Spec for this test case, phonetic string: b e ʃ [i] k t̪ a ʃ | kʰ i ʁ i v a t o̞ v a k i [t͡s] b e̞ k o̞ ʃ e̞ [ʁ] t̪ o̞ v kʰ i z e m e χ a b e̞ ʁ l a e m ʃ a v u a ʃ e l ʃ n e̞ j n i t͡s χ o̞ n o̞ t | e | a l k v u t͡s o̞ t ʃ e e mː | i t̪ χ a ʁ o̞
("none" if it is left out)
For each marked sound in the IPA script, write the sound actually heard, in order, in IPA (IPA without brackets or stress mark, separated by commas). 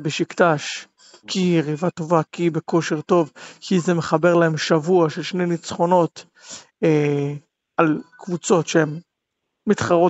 i, none, ʁ